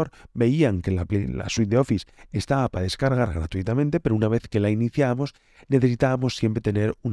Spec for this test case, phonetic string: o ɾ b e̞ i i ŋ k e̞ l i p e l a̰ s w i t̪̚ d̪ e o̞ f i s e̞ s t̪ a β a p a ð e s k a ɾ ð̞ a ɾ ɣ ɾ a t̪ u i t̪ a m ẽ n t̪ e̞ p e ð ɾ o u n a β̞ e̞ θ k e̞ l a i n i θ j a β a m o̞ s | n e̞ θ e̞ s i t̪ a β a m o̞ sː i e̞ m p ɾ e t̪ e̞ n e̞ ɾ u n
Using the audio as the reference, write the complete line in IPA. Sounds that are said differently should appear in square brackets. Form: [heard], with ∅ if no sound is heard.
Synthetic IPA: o ɾ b e̞ i [a] ŋ k e̞ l [a] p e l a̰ s w i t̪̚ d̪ e o̞ f i s e̞ s t̪ a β a p a ð e s k a ɾ [ɣ̞] a ɾ ɣ ɾ a t̪ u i t̪ a m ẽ n t̪ e̞ p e [∅] ɾ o u n a β̞ e̞ θ k e̞ l a i n i θ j a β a m o̞ s | n e̞ θ e̞ s i t̪ a β a m o̞ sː [j] e̞ m p ɾ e t̪ e̞ n e̞ ɾ u n